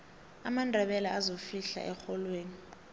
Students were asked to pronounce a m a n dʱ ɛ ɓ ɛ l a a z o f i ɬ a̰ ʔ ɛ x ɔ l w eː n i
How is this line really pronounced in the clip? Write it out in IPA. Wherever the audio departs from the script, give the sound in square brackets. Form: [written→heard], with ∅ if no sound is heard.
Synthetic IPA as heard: a m a n dʱ ɛ ɓ ɛ l a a z o f i ɬ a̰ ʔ ɛ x ɔ l w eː n i